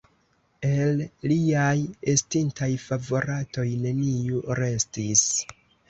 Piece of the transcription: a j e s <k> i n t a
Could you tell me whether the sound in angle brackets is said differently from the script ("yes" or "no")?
yes